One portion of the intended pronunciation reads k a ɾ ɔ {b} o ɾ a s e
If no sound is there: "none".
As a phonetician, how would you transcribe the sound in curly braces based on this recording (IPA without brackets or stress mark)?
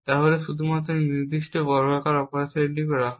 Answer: p